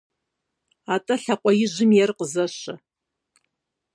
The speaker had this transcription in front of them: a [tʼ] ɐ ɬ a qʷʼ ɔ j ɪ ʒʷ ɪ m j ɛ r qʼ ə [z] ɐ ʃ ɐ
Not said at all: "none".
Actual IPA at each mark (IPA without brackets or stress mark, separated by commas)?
tʼ, z